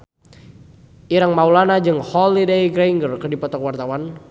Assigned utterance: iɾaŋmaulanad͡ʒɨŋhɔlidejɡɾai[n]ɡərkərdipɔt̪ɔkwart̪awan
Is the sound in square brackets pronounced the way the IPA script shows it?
no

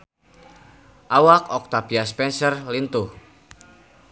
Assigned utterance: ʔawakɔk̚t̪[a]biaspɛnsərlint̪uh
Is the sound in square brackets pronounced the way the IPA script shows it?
yes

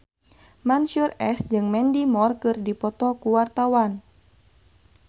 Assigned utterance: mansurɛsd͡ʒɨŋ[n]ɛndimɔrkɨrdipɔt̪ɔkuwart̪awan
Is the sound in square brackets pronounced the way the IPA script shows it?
no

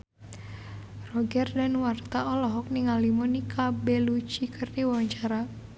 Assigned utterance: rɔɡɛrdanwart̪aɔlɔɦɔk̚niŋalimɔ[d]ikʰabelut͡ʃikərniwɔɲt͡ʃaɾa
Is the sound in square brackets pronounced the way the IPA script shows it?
no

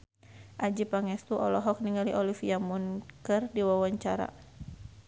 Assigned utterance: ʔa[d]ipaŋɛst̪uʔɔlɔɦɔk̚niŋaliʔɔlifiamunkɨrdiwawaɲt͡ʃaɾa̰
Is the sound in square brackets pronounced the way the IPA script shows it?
no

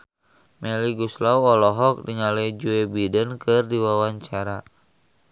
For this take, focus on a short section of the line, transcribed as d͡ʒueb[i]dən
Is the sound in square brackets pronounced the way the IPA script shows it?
yes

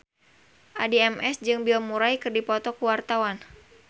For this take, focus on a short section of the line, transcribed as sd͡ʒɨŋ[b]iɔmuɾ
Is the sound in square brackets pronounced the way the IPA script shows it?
yes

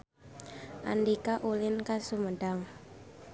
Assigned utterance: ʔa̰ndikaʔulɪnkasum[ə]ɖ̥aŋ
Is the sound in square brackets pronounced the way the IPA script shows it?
yes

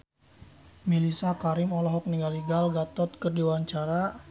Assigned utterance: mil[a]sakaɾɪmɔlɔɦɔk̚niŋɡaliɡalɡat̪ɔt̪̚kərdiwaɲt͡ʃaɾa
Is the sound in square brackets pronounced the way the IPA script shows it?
no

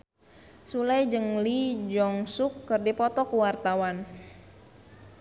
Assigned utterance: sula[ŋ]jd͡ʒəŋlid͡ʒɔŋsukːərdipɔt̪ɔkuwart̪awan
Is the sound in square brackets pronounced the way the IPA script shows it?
no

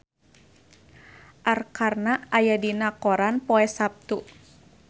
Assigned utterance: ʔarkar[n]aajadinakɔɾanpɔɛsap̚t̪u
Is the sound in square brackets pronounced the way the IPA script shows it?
yes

